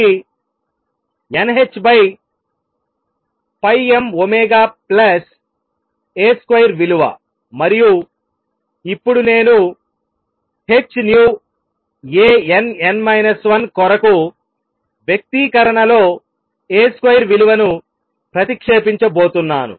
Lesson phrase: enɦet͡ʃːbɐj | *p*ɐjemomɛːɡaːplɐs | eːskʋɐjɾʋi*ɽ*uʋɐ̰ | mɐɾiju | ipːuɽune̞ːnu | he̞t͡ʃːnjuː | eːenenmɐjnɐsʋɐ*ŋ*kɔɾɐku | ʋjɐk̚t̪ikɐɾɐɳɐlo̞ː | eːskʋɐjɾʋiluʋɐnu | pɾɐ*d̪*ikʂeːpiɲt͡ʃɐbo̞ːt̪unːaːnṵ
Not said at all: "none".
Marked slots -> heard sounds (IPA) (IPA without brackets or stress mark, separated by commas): p, l, n, t̪